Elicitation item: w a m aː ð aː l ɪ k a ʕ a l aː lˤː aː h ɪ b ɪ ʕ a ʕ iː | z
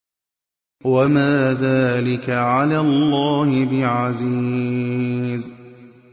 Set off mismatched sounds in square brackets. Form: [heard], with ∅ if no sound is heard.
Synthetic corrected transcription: w a m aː ð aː l ɪ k a ʕ a l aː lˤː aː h ɪ b ɪ ʕ a [z] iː | z